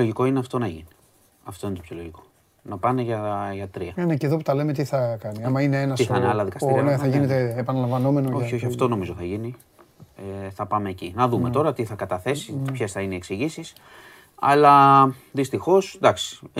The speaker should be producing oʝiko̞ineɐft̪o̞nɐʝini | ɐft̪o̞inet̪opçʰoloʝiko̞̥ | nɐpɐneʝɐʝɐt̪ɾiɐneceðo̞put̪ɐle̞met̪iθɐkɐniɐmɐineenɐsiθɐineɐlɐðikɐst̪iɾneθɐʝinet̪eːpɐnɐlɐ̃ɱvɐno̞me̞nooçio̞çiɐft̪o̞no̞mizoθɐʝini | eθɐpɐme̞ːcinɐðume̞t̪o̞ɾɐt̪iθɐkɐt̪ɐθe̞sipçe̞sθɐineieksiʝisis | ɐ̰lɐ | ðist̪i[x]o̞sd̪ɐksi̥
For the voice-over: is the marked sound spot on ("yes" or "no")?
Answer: yes